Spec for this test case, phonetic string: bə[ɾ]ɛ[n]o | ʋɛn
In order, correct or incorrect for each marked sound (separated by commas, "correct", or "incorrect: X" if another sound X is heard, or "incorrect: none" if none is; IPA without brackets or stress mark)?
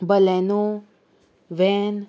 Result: incorrect: l, correct